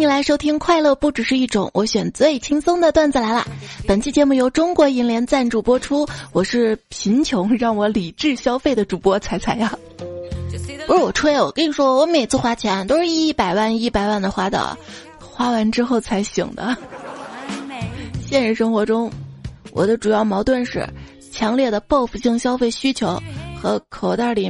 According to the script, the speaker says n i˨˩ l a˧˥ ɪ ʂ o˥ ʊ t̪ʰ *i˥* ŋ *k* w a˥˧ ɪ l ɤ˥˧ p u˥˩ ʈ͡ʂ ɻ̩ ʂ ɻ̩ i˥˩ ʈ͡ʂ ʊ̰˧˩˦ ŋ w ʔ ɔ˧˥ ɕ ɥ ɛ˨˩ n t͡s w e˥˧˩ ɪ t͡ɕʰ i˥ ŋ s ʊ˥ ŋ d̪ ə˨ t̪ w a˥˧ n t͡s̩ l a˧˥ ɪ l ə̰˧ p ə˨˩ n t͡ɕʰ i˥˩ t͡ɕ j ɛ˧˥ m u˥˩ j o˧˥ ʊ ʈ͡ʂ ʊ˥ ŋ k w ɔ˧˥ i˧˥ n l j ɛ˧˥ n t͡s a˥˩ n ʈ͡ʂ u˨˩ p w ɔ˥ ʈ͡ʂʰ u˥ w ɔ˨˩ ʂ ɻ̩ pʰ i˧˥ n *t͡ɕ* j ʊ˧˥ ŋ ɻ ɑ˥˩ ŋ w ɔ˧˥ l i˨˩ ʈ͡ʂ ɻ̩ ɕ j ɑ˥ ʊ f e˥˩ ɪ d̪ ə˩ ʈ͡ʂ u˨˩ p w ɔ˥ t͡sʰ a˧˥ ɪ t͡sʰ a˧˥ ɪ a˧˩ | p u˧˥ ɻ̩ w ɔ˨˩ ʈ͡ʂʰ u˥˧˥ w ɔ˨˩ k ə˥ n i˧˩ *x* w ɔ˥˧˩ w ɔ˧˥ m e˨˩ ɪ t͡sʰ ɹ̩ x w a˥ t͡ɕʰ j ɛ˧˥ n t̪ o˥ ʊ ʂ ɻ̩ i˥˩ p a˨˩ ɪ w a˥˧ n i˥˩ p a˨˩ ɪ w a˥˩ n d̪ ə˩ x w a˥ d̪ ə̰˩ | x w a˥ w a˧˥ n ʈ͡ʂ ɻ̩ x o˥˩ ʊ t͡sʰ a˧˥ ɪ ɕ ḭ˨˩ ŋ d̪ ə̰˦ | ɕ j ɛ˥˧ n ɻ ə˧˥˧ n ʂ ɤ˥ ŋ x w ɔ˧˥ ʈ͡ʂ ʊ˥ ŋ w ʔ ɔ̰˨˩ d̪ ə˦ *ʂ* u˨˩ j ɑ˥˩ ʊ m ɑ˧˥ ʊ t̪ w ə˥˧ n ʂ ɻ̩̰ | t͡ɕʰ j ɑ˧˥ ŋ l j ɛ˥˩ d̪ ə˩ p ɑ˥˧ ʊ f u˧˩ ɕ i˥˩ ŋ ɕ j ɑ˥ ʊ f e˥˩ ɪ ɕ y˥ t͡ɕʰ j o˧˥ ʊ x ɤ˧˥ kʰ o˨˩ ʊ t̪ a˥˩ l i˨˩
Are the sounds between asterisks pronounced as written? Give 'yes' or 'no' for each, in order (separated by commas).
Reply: yes, no, no, no, no